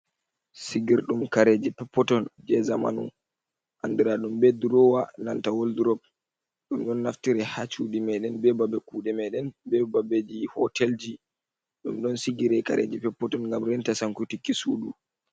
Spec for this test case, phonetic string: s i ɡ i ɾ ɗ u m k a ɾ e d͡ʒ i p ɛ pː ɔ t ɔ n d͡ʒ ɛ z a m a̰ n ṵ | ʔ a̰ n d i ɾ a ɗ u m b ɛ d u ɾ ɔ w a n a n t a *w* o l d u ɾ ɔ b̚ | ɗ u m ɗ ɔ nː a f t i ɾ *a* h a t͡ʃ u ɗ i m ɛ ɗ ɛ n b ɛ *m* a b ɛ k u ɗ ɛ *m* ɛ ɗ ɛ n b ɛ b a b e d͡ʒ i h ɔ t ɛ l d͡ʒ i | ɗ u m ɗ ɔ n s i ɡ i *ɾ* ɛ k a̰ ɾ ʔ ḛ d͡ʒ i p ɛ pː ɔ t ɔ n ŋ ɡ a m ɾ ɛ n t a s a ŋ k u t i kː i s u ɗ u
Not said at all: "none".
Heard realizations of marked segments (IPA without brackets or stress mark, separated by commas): w, ɛ, b, m, ɾ